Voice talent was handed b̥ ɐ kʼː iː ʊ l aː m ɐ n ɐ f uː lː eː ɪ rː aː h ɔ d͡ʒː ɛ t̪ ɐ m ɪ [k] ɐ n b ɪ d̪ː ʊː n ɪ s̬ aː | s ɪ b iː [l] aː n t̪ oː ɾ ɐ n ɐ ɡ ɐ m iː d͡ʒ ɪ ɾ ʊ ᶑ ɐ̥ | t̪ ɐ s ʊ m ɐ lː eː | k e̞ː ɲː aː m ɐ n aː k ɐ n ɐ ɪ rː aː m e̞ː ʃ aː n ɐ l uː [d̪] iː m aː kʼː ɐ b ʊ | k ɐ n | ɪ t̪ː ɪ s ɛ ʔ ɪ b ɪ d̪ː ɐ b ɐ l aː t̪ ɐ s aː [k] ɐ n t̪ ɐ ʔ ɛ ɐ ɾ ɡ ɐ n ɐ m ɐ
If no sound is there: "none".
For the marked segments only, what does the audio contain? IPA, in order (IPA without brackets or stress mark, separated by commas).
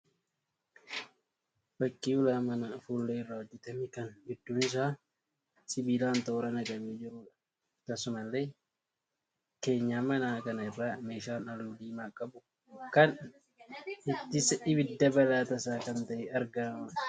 k, l, d̪, k